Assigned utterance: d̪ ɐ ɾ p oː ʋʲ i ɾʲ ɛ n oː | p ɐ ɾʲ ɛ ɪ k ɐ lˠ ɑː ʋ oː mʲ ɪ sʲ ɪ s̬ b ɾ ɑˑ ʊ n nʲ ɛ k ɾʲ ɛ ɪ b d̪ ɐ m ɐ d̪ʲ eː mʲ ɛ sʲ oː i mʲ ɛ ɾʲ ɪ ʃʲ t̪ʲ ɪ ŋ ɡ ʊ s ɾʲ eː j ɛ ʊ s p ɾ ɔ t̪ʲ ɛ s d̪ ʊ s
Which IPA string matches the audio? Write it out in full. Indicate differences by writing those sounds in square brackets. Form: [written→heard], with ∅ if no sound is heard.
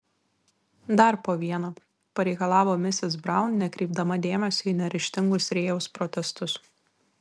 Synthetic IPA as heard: d̪ ɐ ɾ p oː ʋʲ i [ɾʲ→∅] ɛ n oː | p ɐ ɾʲ ɛ ɪ k ɐ lˠ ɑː ʋ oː mʲ ɪ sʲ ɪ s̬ b ɾ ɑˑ ʊ n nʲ ɛ k ɾʲ ɛ ɪ b d̪ ɐ m ɐ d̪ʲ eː mʲ ɛ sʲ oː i [mʲ→nʲ] ɛ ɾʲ ɪ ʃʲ t̪ʲ ɪ ŋ ɡ ʊ s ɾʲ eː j ɛ ʊ s p ɾ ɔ t̪ʲ ɛ s [d̪→t̪] ʊ s